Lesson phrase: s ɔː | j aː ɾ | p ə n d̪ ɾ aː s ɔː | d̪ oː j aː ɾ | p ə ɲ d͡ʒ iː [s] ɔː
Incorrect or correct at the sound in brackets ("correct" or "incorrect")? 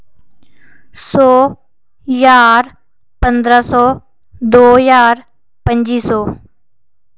correct